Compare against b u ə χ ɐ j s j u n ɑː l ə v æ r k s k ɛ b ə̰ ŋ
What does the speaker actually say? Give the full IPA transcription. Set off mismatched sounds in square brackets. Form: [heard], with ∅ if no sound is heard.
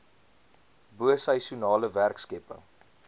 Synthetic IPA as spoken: b u ə [s] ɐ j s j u n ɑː l ə v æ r k s k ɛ [p] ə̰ ŋ